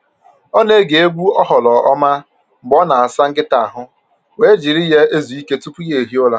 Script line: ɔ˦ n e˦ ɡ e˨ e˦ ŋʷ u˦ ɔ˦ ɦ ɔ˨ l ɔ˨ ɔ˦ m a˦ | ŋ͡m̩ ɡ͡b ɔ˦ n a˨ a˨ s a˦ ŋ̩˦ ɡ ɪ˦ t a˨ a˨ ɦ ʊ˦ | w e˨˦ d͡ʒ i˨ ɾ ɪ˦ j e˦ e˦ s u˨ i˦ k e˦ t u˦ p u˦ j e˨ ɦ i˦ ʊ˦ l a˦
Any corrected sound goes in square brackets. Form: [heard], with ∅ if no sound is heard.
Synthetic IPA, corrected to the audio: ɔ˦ n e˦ ɡ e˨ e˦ [ɡʷ] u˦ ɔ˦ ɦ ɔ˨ l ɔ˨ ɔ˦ m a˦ | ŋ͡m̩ ɡ͡b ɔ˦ n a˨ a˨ s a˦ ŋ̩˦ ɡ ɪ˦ t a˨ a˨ ɦ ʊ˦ | w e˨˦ d͡ʒ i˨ ɾ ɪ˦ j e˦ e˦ [z] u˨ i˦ k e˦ t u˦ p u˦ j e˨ ɦ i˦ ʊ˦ l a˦